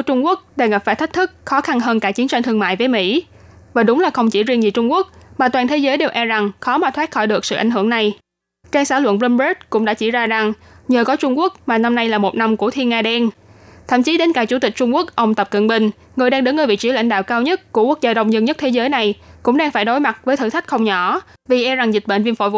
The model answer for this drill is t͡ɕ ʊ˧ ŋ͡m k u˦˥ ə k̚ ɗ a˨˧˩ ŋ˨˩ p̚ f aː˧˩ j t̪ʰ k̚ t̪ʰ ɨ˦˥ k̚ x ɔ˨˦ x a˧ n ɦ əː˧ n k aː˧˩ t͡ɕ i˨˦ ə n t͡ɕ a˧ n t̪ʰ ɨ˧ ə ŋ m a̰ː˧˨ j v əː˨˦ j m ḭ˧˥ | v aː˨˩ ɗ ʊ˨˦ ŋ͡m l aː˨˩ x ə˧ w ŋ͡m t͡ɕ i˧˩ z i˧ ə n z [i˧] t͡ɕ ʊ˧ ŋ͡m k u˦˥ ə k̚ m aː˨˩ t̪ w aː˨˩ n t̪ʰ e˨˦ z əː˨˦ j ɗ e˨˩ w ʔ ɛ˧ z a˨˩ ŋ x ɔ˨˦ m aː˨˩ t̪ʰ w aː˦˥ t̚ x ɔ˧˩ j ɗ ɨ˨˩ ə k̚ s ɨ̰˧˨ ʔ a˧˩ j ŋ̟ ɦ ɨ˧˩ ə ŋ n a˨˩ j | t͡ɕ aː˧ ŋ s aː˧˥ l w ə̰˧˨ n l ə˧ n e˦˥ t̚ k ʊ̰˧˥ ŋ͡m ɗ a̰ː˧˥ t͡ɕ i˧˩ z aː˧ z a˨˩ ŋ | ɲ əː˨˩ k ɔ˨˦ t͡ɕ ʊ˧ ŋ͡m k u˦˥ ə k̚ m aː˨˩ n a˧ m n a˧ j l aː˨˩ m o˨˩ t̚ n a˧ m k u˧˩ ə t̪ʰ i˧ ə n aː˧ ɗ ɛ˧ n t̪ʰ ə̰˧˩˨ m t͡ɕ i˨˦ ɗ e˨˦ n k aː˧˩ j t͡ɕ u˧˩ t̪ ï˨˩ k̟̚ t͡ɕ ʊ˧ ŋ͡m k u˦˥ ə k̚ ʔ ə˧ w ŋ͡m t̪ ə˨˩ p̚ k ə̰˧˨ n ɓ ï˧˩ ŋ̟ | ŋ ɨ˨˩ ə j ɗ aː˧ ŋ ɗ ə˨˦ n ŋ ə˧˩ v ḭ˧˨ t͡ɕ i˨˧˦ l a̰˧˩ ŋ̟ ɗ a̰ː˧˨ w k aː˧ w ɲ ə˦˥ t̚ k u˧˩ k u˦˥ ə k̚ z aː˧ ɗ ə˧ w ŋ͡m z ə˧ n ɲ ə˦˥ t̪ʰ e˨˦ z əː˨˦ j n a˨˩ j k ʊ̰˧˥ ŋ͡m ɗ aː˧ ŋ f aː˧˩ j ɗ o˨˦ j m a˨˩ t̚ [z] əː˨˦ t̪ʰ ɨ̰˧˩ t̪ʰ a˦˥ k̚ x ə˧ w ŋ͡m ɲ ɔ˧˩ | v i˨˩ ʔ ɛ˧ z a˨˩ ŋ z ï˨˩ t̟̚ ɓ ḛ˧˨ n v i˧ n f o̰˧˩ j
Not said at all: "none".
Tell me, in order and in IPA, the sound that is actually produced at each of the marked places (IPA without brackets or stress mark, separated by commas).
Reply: i˨˩, v